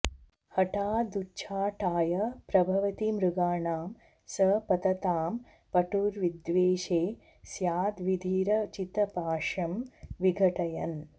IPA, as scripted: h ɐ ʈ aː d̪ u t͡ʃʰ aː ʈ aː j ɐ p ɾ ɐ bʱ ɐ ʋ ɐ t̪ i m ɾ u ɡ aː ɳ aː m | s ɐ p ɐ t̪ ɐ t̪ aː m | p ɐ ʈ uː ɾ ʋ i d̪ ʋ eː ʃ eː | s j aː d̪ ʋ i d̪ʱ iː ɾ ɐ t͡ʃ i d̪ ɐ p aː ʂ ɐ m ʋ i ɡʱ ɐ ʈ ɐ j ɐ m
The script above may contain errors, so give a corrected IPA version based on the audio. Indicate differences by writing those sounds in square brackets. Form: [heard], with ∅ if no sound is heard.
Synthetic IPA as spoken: h ɐ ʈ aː d̪ u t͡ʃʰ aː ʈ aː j ɐ p ɾ ɐ bʱ ɐ ʋ ɐ t̪ i m ɾ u ɡ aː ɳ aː m | s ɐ p ɐ t̪ ɐ t̪ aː m | p ɐ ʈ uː ɾ ʋ i d̪ ʋ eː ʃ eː | s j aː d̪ ʋ i d̪ʱ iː ɾ ɐ t͡ʃ i [t̪] ɐ p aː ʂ ɐ m ʋ i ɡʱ ɐ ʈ ɐ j ɐ [n]